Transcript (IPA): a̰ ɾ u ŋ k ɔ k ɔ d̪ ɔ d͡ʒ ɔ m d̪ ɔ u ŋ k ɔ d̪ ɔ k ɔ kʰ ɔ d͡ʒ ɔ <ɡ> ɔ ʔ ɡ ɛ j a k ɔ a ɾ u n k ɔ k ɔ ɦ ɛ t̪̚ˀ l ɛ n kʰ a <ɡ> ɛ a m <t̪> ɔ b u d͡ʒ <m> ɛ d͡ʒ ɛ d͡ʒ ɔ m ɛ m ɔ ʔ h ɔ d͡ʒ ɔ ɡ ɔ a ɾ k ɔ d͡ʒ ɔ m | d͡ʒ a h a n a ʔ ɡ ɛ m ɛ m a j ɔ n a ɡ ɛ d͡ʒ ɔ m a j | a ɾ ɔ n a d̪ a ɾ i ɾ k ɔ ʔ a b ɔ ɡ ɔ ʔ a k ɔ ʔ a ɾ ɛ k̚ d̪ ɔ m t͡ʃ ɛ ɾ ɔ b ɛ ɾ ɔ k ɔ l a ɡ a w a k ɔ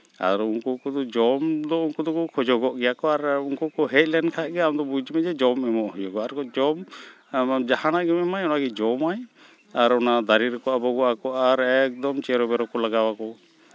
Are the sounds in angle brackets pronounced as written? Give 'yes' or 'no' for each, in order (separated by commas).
yes, yes, no, yes